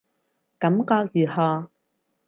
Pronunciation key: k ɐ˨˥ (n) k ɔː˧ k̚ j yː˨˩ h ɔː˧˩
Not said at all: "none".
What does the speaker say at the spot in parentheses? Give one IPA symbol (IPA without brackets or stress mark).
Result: m